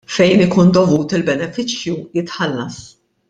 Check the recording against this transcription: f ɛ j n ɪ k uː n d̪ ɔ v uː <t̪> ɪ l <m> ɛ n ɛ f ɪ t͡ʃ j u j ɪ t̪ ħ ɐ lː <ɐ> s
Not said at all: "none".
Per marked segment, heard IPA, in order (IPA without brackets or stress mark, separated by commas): t̪, b, ɐ